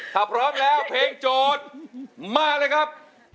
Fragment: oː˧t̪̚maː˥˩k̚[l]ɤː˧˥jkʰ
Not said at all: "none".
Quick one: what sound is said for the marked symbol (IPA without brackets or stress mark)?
l